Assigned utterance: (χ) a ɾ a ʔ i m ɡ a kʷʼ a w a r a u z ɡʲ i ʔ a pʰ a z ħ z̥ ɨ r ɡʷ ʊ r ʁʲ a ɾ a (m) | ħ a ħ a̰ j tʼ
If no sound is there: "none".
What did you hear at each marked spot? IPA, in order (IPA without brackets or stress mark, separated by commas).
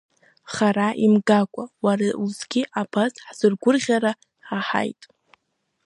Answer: χ, none